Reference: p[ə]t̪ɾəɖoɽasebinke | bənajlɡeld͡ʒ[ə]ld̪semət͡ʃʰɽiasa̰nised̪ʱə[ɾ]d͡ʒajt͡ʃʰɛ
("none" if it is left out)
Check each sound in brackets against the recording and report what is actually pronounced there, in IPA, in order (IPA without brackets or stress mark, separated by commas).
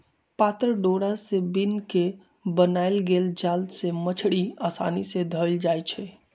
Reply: a, a, l